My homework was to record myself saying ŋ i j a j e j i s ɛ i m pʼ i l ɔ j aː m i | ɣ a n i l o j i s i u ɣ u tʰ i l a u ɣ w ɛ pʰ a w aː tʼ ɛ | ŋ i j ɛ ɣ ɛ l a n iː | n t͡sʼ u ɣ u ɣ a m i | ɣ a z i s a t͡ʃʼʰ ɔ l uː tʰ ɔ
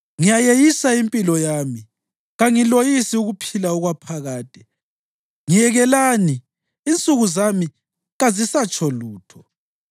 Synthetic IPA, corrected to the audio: ŋ i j a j e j i s a i m pʼ i l ɔ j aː m i | ɣ a ŋ i l o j i s i u ɣ u pʰ i l a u ɣ w a pʰ a ɣ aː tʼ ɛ | ŋ i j ɛ ɣ ɛ l a n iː | n t͡sʼ u ɣ u z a m i | ɣ a z i s a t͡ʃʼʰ ɔ l uː tʰ ɔ